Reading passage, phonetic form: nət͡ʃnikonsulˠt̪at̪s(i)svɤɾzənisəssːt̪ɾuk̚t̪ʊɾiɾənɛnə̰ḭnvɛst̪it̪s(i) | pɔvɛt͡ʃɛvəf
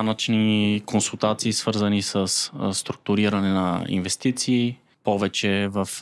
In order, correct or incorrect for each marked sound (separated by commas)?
incorrect, incorrect